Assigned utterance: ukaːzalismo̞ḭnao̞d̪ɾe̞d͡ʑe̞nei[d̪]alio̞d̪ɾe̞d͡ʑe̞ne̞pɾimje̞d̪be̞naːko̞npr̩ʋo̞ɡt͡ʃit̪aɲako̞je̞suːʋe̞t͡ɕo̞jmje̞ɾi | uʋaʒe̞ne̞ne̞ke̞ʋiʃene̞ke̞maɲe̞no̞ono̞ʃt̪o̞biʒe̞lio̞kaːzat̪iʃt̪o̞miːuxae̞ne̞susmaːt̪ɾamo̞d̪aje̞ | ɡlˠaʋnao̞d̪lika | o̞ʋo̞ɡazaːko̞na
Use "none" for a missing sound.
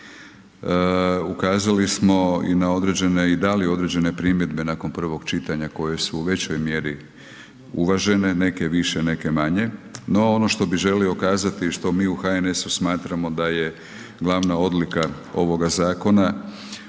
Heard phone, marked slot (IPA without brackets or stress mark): d̪